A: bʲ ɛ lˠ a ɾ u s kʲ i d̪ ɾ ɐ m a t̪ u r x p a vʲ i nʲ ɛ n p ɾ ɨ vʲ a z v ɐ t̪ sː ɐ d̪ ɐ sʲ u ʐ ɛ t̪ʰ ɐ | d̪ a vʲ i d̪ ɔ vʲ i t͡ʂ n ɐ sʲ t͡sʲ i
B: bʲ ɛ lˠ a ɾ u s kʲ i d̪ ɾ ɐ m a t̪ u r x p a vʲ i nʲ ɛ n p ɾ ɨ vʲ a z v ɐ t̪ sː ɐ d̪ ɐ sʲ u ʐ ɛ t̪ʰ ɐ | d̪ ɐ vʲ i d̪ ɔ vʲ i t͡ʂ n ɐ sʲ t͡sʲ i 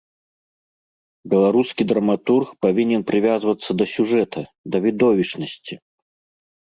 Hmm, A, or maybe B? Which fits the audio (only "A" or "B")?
B